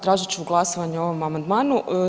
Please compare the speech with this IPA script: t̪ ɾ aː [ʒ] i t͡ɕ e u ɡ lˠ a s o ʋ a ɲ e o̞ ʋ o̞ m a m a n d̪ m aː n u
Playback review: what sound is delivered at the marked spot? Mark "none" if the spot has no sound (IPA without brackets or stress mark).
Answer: ʒ